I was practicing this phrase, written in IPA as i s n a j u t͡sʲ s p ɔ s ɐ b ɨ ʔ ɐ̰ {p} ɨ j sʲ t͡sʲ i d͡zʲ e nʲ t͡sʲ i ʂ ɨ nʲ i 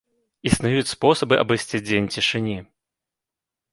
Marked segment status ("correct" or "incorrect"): incorrect